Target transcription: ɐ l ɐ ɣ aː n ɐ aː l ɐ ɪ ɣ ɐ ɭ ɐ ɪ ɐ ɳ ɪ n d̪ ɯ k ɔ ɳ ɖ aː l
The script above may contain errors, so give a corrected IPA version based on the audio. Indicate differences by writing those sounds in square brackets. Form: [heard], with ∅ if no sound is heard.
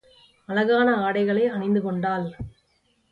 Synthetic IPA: ɐ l ɐ ɣ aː n ɐ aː [ɽ] ɐ ɪ ɣ ɐ ɭ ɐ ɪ ɐ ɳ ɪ n d̪ ɯ k ɔ ɳ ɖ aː l